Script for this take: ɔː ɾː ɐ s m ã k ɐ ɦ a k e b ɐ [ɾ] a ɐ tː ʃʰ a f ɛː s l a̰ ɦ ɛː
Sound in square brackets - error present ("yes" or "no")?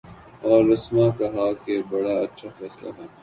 yes